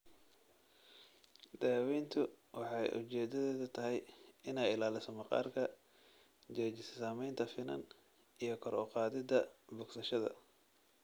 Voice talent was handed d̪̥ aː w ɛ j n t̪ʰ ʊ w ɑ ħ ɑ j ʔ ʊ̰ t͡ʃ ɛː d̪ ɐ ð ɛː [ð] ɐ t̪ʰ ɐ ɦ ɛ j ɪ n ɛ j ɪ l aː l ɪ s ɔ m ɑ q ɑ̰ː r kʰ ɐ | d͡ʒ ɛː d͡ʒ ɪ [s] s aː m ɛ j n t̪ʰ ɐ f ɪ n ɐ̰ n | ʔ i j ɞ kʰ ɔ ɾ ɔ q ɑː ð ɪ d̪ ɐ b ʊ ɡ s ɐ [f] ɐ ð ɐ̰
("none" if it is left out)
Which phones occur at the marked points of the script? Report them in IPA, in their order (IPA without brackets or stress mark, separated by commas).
ð, s, ʃ